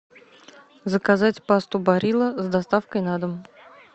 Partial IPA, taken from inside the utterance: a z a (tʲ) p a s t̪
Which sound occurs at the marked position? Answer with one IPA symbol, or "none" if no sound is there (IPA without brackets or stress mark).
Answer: tʲ